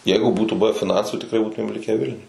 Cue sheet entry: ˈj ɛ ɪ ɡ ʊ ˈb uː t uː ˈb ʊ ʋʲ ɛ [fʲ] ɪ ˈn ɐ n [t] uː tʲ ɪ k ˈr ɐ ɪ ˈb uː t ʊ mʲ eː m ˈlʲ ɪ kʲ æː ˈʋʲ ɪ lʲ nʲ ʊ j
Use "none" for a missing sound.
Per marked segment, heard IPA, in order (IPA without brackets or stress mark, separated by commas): fʲ, s